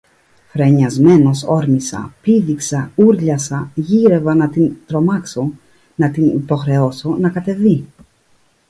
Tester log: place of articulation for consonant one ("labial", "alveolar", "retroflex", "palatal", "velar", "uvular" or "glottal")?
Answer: labial